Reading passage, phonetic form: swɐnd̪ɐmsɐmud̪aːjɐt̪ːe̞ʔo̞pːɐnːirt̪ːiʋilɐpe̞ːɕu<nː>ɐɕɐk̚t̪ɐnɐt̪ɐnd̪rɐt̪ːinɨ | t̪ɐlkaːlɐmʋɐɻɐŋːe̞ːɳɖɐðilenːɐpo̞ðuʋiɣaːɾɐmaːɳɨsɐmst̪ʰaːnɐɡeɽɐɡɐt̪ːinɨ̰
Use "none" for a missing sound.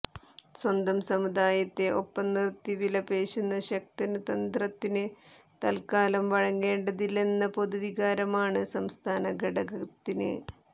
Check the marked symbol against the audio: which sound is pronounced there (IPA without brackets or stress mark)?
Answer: nː